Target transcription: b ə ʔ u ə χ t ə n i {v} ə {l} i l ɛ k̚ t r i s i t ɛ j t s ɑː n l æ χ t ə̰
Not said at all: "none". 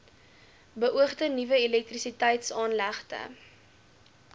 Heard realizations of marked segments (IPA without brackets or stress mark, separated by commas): v, none